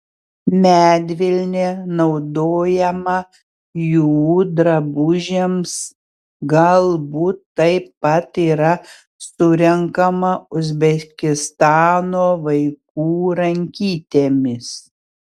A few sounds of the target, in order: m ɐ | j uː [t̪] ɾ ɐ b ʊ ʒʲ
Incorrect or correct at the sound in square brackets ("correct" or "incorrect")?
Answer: incorrect